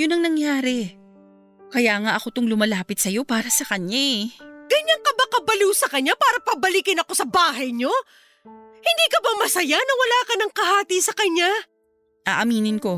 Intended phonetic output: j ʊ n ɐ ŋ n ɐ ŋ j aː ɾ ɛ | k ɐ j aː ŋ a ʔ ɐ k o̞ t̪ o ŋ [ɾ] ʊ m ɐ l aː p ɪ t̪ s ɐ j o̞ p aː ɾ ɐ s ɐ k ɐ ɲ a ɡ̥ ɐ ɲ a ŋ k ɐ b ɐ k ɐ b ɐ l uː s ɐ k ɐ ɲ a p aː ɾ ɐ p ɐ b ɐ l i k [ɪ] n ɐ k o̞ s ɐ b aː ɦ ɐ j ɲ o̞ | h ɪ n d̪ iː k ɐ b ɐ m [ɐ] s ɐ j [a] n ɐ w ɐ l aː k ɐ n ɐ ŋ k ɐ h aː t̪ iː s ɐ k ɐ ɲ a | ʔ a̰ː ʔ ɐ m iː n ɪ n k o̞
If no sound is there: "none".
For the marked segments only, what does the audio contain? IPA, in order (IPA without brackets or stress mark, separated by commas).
l, ɪ, ɐ, a